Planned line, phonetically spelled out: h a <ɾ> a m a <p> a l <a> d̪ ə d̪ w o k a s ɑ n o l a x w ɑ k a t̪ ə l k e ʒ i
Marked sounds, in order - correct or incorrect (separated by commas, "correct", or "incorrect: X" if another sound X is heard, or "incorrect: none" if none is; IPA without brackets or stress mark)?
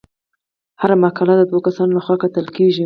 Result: correct, incorrect: k, correct